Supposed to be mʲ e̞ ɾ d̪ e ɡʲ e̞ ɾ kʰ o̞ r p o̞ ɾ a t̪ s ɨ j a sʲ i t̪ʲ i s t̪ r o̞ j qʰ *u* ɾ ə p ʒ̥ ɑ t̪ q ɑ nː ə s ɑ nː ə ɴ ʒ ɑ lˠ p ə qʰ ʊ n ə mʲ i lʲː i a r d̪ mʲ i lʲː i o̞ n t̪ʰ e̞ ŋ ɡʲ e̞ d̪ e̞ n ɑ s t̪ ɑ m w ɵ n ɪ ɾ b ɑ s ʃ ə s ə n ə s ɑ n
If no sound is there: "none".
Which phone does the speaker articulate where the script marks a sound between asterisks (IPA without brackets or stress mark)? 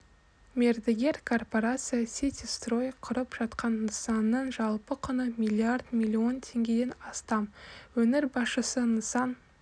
ʊ